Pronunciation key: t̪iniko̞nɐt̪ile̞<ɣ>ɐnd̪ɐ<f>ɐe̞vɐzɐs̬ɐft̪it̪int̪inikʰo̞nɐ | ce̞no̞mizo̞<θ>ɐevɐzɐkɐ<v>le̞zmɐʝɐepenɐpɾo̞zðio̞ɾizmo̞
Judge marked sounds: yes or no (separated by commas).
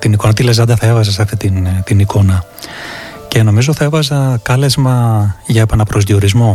no, no, yes, no